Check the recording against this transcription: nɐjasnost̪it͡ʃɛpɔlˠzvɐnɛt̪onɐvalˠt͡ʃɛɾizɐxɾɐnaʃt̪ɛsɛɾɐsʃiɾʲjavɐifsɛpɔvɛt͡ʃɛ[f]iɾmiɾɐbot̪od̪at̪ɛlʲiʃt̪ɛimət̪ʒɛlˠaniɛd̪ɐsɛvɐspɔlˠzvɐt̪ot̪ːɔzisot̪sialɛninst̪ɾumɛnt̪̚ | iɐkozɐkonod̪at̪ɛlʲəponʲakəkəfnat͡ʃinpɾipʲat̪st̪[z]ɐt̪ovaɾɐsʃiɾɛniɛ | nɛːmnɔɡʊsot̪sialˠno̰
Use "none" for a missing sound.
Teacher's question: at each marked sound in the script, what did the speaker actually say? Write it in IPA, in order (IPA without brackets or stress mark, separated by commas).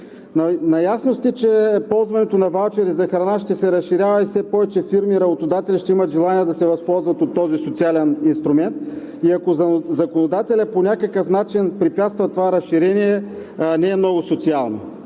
f, v